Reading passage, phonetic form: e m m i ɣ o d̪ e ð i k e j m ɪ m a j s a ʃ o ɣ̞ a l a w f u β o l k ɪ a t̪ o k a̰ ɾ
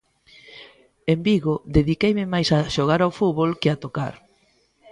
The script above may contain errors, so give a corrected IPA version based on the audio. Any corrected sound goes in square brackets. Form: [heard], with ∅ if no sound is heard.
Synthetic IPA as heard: e m [b] i ɣ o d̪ e ð i k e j m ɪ m a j s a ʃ o ɣ̞ a [ɾ] a w f u β o l k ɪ a t̪ o k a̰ ɾ

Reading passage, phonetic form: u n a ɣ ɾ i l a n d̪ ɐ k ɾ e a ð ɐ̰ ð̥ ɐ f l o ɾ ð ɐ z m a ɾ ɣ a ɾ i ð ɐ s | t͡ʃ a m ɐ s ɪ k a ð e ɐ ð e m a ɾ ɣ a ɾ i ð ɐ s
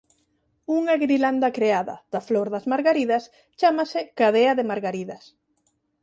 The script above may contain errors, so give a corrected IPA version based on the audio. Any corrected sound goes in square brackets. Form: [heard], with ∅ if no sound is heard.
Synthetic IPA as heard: u [ŋ] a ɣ ɾ i l a n d̪ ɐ k ɾ e a ð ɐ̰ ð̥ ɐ f l o ɾ ð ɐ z m a ɾ ɣ a ɾ i ð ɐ s | t͡ʃ a m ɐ s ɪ k a ð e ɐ ð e m a ɾ ɣ a ɾ i ð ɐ s

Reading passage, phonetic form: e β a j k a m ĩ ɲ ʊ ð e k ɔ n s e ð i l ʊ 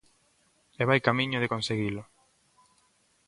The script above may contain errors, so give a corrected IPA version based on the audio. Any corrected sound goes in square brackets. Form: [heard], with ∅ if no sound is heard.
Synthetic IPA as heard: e β a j k a m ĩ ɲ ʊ ð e k [o] n s e [ɣ] i l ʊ

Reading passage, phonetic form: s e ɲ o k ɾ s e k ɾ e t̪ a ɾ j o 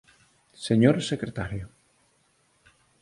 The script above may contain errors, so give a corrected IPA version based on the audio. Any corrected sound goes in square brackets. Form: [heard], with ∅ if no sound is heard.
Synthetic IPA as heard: s e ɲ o [∅] ɾ s e k ɾ e t̪ a ɾ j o

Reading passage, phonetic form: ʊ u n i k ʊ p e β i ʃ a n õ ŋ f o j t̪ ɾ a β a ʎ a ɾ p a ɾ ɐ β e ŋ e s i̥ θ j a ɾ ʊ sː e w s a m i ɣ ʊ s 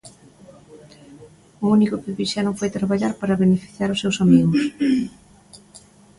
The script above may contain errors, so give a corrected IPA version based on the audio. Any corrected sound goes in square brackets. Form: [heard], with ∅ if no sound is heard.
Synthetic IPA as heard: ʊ u n i k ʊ p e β i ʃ a n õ ŋ f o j t̪ ɾ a β a ʎ a ɾ p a ɾ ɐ β e [n] e [f] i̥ θ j a ɾ ʊ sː e w s a m i ɣ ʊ s

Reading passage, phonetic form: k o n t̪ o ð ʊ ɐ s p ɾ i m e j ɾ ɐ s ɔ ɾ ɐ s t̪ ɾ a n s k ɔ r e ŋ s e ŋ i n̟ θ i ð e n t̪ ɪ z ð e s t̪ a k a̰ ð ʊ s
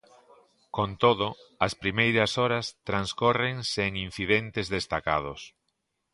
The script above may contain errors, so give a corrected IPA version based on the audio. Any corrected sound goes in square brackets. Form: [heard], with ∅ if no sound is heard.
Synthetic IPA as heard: k o n t̪ o ð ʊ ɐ s p ɾ i m e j ɾ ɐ s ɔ ɾ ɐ s t̪ ɾ a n s k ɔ r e ŋ s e ŋ i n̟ θ i ð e n t̪ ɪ z ð e s t̪ a k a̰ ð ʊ s

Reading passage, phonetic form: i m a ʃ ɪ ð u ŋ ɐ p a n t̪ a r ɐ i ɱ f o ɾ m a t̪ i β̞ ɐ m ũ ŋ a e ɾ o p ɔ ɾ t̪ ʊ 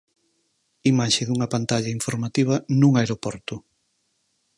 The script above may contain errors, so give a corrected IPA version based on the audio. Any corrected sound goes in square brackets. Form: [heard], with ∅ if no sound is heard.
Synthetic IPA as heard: i m a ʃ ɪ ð u ŋ ɐ p a n t̪ a [ʎ] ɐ i ɱ f o ɾ m a t̪ i β̞ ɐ [n] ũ ŋ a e ɾ o p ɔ ɾ t̪ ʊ

